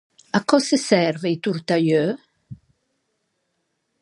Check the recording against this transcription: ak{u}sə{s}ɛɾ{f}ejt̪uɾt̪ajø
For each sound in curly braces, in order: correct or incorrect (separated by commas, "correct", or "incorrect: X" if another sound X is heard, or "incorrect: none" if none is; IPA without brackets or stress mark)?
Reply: incorrect: ɔ, correct, incorrect: v